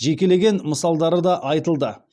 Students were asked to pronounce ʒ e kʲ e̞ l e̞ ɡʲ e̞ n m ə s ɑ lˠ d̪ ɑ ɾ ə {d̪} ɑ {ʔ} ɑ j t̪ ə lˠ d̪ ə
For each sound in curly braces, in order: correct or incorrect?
correct, correct

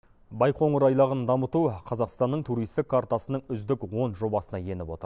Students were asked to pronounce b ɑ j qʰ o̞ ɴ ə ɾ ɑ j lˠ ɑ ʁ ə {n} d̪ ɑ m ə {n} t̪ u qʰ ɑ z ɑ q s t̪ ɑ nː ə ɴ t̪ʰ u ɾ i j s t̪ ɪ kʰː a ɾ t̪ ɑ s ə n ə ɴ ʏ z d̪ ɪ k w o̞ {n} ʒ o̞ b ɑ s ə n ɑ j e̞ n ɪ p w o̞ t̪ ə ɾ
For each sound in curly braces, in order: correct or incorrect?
correct, incorrect: none, correct

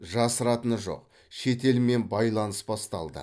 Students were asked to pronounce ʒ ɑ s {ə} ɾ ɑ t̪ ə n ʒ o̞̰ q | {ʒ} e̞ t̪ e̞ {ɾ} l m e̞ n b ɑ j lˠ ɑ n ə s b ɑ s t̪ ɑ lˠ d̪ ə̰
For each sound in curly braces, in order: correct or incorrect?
correct, incorrect: ʃ, incorrect: none

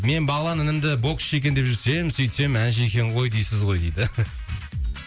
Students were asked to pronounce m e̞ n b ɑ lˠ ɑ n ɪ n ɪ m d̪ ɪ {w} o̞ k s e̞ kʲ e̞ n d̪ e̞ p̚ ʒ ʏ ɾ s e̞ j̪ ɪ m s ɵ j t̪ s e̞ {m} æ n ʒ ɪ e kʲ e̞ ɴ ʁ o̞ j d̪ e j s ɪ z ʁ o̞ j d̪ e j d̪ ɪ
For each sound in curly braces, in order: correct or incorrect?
incorrect: b, correct

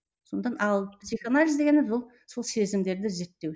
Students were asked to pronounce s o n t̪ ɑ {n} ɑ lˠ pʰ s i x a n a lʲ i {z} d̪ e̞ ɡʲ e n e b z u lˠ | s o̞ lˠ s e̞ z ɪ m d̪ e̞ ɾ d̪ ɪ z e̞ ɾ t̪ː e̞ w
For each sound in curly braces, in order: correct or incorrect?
correct, correct

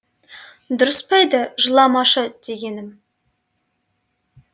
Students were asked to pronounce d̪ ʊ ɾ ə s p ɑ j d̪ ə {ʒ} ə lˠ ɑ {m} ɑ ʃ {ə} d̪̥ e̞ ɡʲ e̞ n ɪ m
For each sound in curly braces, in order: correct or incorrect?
correct, correct, correct

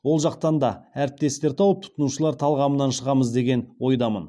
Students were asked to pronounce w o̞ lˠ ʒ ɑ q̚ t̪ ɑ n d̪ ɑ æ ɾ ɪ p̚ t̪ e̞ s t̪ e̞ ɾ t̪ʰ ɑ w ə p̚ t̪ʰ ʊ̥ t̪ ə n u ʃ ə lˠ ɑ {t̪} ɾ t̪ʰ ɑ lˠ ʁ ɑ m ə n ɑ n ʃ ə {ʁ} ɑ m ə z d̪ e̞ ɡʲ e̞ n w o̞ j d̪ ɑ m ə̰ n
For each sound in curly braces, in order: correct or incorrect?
incorrect: none, correct

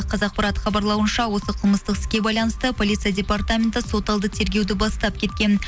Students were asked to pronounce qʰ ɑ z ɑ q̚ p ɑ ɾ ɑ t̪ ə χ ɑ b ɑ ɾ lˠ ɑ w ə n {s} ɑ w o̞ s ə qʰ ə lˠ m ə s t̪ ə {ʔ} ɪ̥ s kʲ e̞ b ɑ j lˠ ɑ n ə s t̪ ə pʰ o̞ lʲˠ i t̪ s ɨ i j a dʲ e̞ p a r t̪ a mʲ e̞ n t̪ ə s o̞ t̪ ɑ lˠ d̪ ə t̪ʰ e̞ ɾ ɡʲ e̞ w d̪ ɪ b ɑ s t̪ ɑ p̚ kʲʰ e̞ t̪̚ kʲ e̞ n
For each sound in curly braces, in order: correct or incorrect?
incorrect: ʃ, incorrect: q

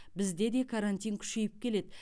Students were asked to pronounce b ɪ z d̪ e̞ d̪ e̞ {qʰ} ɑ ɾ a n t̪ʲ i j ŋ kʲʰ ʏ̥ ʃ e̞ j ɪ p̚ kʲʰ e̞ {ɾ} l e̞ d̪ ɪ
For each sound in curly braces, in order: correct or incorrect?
incorrect: kʰ, incorrect: none

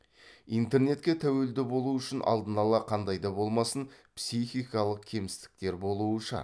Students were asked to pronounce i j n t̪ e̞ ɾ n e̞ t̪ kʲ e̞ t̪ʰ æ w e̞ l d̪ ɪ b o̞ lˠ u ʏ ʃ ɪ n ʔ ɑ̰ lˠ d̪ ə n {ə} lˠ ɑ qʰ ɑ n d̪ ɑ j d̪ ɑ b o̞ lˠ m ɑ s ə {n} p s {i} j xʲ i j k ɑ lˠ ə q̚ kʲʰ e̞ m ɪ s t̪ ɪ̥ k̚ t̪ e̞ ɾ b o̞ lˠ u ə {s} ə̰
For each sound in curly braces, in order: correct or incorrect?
incorrect: ɑ, correct, correct, incorrect: ʃ

